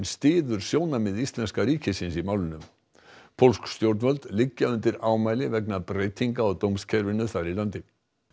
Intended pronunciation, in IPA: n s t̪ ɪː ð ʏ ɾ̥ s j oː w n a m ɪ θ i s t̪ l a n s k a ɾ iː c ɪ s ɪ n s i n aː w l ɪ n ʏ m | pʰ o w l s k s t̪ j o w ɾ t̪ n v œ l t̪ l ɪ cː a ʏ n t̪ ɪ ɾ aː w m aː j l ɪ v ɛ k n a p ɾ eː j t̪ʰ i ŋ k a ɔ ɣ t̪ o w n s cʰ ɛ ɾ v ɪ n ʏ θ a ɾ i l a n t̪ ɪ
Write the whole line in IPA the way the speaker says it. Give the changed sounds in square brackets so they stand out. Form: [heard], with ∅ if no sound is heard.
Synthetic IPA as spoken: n s t̪ ɪː ð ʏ ɾ̥ s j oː w n a m ɪ [ð] i s t̪ l [ɛ] n s k a ɾ iː c ɪ s ɪ n s i [m] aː w l ɪ n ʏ m | pʰ o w l s k s t̪ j o w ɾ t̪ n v œ l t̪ l ɪ cː a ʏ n t̪ ɪ ɾ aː w m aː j l ɪ v ɛ k n a p ɾ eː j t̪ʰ i ŋ k a ɔ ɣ t̪ o w [m] s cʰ ɛ ɾ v ɪ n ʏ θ a ɾ i l a n t̪ ɪ